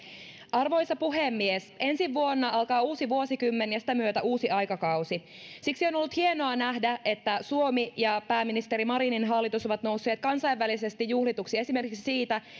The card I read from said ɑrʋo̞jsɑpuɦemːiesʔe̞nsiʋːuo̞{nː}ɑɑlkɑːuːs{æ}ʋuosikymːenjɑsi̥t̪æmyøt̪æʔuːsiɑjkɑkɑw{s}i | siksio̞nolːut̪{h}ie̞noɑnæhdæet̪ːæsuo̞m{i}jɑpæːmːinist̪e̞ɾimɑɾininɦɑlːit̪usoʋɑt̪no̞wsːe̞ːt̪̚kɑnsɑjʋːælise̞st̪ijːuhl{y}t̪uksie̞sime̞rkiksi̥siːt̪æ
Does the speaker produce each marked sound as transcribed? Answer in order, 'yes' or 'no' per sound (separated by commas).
yes, no, yes, yes, yes, no